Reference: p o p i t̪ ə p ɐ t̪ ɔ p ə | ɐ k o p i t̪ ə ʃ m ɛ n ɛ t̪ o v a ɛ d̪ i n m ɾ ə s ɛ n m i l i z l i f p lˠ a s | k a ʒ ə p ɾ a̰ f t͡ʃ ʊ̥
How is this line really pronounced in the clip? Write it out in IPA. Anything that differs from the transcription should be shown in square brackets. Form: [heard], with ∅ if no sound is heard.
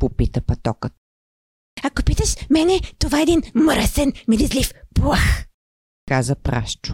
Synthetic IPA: p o p i t̪ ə p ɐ t̪ ɔ [k] ə | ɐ k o p i t̪ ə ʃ m ɛ n ɛ t̪ o v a ɛ d̪ i n m ɾ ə s ɛ n m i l i z l i f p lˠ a [x] | k a [z] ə p ɾ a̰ [ʃ] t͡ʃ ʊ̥